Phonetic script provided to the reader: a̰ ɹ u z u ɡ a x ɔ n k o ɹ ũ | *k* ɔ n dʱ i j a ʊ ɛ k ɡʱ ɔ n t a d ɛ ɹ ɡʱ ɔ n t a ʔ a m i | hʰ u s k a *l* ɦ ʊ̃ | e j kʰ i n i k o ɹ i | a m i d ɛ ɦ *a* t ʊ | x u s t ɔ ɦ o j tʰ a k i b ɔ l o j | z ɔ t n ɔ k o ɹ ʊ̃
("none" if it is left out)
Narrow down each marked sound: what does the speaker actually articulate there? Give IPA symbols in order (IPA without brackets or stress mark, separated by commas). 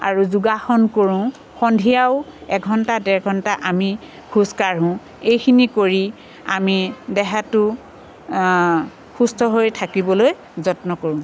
x, ɹ, a